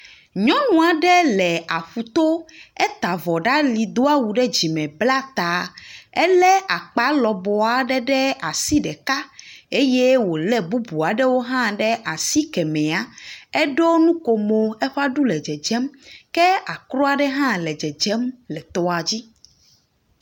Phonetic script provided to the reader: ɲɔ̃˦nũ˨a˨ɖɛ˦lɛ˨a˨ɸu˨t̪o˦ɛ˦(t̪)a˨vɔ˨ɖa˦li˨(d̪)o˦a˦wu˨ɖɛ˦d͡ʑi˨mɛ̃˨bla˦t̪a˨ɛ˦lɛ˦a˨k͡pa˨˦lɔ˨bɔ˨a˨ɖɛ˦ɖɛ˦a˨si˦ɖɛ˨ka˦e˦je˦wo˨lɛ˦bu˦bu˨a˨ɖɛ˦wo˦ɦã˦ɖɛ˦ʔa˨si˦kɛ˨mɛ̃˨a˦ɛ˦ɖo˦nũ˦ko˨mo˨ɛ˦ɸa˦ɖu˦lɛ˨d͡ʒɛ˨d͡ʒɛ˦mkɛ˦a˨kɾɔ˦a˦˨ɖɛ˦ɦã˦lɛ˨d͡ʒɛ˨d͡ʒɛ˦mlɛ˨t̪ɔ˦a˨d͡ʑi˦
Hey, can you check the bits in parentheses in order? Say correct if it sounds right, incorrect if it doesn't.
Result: correct, correct

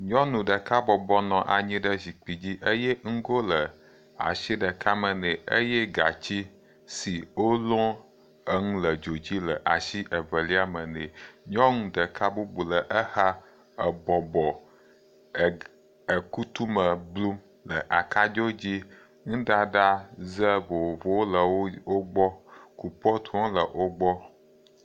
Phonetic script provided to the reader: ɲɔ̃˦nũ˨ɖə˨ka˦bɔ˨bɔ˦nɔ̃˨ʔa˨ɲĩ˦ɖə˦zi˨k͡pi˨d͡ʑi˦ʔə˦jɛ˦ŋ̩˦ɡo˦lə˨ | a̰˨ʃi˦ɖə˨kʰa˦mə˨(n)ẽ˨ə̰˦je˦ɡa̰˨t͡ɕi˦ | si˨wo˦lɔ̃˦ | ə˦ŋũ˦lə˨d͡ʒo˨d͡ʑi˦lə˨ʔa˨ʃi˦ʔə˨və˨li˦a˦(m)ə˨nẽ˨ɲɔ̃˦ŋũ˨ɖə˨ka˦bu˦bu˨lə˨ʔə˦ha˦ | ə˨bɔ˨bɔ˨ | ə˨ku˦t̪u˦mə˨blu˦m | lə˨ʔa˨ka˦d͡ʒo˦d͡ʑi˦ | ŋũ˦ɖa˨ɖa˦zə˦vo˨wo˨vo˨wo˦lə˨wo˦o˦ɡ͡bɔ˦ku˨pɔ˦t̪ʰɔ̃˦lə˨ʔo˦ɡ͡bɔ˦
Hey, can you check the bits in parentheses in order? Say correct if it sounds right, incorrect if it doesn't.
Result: correct, correct

